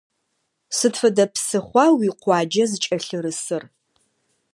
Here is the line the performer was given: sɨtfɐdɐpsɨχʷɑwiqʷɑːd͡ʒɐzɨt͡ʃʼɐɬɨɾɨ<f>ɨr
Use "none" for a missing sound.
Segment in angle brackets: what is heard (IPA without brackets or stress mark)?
s